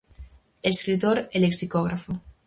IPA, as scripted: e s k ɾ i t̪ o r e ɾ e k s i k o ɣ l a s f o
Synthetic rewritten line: e s k ɾ i t̪ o ɾ e l e k s i k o ɣ ɾ a f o

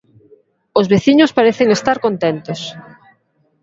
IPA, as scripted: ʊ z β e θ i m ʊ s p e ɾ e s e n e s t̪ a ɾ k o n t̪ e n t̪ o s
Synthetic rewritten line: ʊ z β e θ i ɲ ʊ s p a ɾ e θ e ŋ e s t̪ a ɾ k o n t̪ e n t̪ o s

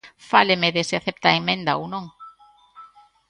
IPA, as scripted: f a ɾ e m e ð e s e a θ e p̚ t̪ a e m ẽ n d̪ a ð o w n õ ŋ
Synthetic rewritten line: f a l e m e ð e s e a θ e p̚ t̪ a e m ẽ n d̪ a o w n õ ŋ

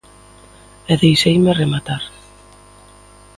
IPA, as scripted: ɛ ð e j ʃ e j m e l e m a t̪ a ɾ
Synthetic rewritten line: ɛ ð e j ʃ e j m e r e m a t̪ a ɾ

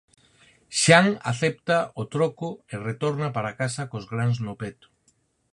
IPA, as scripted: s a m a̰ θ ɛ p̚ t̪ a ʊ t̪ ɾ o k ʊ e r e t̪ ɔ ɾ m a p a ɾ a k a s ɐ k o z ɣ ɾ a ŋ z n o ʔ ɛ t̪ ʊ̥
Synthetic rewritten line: ʃ a ŋ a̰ θ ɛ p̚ t̪ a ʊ t̪ ɾ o k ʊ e r e t̪ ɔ ɾ n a p a ɾ a k a s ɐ k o z ɣ ɾ a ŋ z n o p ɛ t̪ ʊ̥

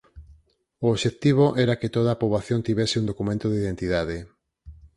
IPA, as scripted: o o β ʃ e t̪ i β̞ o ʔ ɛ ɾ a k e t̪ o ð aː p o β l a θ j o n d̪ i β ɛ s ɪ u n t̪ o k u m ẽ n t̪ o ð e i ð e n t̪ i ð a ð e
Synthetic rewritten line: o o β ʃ e t̪ i β̞ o ʔ ɛ ɾ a k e t̪ o ð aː p o β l a θ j o n t̪ i β ɛ s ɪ u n d̪ o k u m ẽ n t̪ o ð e i ð e n t̪ i ð a ð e

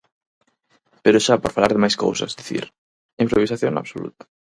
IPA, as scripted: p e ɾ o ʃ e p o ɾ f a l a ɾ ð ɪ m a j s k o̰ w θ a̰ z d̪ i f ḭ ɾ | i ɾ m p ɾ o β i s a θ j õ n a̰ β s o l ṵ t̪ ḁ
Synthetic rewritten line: p e ɾ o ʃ a p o ɾ f a l a ɾ ð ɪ m a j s k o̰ w s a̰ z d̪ i θ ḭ ɾ | i m p ɾ o β i s a θ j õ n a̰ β s o l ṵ t̪ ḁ

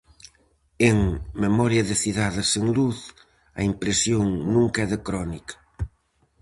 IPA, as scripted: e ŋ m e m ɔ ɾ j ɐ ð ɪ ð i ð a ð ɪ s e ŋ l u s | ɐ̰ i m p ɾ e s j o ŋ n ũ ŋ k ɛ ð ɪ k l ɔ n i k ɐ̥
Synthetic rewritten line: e ŋ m e m ɔ ɾ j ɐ ð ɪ θ i ð a ð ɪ s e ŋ l u θ | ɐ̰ i m p ɾ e s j o ŋ n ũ ŋ k ɛ ð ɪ k ɾ ɔ n i k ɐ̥

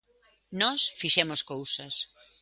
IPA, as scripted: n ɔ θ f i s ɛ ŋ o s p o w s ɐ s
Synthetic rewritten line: n ɔ s f i ʃ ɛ m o s k o w s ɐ s

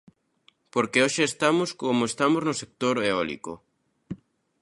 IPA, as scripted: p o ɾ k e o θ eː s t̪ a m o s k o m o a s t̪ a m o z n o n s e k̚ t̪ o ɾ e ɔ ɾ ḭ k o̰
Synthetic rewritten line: p o ɾ k e o ʃ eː s t̪ a m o s k o m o e s t̪ a m o z n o s e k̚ t̪ o ɾ e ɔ l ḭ k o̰

